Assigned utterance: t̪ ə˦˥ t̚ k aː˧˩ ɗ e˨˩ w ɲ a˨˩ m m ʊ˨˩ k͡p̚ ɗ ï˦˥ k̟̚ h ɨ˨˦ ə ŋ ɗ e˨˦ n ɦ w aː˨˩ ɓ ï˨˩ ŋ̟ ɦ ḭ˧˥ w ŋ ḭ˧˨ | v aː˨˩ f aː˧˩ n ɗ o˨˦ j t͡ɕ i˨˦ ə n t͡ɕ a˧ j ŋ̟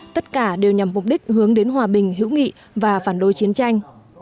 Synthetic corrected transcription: t̪ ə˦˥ t̚ k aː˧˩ ɗ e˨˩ w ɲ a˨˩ m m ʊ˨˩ k͡p̚ ɗ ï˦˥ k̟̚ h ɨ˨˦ ə ŋ ɗ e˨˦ n ɦ w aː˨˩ ɓ ï˨˩ ŋ̟ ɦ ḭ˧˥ w ŋ ḭ˧˨ | v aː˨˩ f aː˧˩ n ɗ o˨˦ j t͡ɕ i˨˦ ə n t͡ɕ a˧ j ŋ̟